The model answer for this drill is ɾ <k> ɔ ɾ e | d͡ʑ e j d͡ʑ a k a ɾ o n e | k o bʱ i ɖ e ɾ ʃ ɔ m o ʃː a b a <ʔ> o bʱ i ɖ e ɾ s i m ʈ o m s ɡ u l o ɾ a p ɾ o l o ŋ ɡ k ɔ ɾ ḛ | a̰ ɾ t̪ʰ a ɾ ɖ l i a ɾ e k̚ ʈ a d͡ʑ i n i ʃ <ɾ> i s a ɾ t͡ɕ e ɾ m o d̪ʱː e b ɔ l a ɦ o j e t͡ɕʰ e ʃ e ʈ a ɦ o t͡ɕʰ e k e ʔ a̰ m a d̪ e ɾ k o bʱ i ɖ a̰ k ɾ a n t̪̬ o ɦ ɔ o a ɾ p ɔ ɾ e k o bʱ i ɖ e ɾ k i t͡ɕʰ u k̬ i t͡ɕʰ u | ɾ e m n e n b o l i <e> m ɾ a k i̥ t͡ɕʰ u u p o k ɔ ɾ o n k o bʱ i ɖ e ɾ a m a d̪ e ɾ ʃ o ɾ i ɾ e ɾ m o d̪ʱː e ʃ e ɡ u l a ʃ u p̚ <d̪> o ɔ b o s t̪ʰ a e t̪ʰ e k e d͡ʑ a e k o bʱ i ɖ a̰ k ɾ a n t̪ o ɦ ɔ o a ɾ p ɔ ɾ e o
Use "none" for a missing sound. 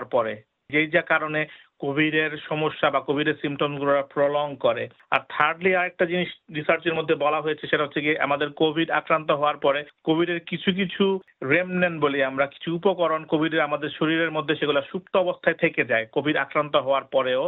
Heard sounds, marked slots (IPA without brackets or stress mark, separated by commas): p, k, ɾ, a, t̪